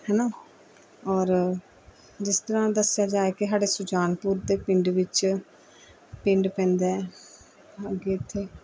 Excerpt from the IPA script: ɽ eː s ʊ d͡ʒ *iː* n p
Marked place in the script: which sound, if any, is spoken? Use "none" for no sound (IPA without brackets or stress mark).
aː